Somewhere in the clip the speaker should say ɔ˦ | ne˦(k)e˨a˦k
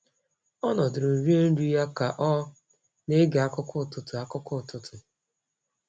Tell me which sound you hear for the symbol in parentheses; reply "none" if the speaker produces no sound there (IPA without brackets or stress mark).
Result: ɡ